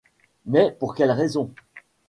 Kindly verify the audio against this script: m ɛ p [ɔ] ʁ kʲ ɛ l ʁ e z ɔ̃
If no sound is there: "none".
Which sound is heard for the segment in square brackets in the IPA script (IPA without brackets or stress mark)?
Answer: u